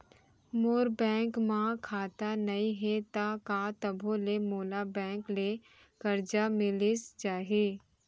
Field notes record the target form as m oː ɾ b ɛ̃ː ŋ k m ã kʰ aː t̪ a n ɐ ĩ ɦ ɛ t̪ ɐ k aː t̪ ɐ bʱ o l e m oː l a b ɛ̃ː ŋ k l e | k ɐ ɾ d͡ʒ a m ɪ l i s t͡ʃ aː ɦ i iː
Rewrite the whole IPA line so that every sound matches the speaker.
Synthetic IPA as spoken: m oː ɾ b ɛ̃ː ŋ k m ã kʰ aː t̪ a n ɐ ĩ ɦ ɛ t̪ a k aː t̪ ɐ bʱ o l e m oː l a b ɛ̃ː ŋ k l e | k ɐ ɾ d͡ʒ a m ɪ l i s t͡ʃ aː ɦ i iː